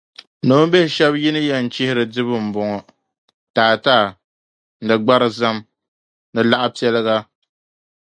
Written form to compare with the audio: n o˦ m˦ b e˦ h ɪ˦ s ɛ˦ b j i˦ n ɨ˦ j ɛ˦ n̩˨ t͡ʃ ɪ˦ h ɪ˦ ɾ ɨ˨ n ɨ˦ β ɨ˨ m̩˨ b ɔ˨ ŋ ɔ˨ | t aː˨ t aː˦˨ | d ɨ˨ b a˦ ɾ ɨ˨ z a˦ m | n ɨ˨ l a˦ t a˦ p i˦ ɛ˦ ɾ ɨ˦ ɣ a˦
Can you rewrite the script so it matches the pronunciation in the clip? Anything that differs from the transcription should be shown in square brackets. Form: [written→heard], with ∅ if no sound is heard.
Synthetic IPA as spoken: n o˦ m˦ b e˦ h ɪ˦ [s→ʃ] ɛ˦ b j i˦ n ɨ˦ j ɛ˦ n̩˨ t͡ʃ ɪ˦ h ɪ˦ ɾ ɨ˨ [n→d] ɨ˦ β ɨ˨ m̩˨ b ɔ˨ ŋ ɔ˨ | t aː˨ t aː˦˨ | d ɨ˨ [b→ɡ͡b] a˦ ɾ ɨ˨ z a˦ m | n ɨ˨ l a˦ [t→ʔ] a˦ p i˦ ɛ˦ [ɾ→l] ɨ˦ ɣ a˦